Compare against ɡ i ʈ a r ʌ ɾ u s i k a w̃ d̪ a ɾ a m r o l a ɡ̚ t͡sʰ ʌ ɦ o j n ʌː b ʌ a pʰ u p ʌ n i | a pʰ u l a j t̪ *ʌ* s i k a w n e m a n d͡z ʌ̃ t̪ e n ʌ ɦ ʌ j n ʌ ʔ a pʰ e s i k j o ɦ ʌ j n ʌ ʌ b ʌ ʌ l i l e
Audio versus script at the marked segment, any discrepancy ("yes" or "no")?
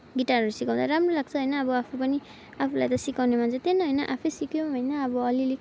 no